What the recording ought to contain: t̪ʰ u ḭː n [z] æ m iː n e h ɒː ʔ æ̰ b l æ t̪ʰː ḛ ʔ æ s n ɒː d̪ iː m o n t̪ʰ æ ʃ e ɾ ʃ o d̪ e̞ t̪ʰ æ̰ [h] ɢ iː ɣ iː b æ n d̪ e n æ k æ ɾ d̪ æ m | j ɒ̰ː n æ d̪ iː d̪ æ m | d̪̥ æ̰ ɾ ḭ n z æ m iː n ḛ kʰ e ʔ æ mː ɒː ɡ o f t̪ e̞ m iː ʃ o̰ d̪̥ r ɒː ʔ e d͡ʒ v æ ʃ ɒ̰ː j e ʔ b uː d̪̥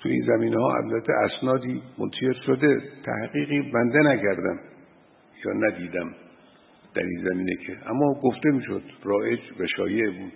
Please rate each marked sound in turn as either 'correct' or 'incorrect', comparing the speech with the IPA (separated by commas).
correct, correct